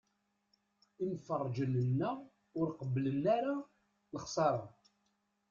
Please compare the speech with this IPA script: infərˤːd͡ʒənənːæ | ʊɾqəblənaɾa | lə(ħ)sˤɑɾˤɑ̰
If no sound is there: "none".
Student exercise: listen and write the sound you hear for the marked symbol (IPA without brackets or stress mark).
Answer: χ